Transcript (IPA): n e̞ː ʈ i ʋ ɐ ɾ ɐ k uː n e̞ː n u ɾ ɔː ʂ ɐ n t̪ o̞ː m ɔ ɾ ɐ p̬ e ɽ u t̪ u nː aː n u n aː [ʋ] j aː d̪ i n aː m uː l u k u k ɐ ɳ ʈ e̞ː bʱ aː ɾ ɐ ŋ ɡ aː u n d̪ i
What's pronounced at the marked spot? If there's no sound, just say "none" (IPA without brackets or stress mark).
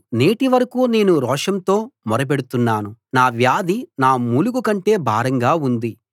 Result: ʋ